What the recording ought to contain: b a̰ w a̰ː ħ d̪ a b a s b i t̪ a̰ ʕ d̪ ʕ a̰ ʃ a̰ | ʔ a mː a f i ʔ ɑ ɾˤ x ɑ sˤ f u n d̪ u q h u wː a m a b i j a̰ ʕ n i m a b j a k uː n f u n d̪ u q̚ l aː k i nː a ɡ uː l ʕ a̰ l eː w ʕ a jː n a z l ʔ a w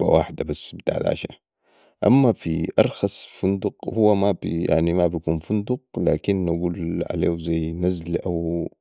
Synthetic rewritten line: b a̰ w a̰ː ħ d̪ a b a s b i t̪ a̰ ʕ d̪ ʕ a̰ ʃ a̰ | ʔ a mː a f i ʔ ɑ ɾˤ x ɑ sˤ f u n d̪ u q h u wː a m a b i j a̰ ʕ n i m a b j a k uː n f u n d̪ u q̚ l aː k i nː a ɡ uː l ʕ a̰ l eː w z a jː n a z l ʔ a w